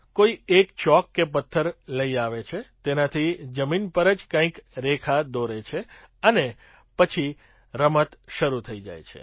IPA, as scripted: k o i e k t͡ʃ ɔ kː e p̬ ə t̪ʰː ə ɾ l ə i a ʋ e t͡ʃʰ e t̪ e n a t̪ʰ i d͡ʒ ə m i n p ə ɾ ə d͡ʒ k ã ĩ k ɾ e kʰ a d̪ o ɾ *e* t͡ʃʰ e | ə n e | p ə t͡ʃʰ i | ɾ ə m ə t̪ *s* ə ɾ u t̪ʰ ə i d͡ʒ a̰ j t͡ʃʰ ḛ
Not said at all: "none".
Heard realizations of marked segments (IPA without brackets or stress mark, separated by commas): e, ʃ